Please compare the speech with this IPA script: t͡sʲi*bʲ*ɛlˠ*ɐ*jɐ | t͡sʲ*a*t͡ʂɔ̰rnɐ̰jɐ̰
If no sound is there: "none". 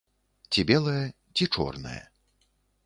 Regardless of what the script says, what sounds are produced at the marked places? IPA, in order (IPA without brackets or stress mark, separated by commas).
bʲ, ɐ, i